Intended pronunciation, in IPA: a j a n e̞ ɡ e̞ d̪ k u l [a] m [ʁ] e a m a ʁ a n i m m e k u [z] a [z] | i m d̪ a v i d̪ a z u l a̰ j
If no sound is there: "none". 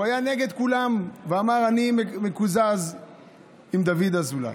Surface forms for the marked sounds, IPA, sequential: a, v, z, z

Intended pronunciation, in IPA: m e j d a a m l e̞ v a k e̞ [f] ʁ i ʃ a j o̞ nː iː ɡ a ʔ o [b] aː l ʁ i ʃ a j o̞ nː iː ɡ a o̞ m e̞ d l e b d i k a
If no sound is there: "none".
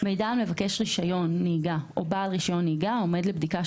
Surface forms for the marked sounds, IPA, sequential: ʃ, b

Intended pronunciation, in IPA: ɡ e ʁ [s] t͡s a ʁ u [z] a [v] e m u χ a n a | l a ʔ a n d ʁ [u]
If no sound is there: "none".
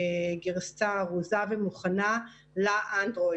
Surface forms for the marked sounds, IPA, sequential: s, z, v, o

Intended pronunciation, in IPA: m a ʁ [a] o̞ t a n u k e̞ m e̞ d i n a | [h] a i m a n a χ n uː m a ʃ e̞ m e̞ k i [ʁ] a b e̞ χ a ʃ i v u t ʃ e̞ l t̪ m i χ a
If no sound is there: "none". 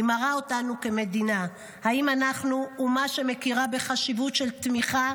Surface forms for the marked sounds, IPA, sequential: a, h, ʁ

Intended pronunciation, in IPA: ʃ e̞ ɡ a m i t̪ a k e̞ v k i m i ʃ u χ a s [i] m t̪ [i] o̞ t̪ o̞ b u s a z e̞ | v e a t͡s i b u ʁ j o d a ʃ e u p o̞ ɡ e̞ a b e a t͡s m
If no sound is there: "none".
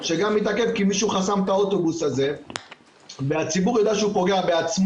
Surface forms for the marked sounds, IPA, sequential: a, a

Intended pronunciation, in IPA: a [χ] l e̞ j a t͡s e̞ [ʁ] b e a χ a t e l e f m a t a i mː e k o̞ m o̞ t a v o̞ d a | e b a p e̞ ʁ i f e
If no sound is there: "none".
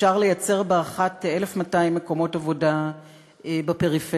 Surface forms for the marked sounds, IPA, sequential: ʁ, ʁ

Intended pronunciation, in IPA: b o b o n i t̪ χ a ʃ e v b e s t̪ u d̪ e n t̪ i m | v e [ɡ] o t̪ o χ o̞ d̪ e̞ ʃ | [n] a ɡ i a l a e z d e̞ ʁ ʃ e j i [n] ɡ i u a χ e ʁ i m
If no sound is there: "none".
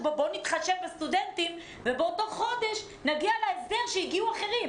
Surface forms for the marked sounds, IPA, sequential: b, n, none

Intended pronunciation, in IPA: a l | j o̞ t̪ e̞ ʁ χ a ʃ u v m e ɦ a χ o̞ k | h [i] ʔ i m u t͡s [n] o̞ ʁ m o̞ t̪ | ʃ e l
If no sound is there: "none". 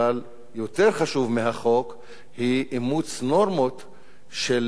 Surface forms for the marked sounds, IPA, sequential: i, n

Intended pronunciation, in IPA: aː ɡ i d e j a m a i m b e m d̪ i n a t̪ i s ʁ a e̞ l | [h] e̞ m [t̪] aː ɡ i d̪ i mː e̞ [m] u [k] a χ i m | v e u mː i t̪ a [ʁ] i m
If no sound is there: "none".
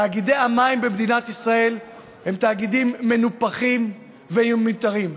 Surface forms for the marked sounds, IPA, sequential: h, t̪, n, p, ʁ

